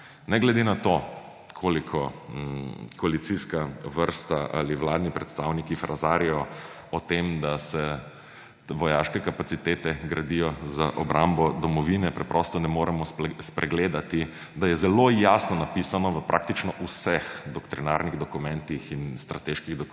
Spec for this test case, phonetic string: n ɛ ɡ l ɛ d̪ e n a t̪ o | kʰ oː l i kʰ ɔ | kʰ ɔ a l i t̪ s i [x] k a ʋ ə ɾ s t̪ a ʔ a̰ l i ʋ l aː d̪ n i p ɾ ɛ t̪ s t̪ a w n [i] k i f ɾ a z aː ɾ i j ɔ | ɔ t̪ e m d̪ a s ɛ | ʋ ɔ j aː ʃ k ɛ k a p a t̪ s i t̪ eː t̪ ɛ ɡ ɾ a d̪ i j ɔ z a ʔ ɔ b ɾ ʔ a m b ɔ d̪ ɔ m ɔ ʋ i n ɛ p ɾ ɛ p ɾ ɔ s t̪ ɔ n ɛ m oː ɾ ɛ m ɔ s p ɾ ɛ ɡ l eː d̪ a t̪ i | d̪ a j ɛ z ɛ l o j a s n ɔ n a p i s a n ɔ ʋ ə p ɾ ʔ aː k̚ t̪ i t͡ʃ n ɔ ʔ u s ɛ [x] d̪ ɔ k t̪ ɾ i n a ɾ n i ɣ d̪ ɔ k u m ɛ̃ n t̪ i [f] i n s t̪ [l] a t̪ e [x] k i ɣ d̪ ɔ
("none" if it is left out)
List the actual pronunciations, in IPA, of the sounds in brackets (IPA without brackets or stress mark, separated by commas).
s, i, x, x, ɾ, ʃ